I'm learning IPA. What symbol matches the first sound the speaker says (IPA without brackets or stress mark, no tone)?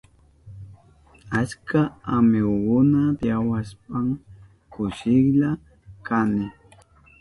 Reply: a